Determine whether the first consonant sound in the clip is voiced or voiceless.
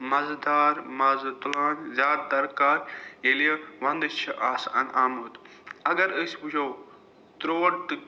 voiced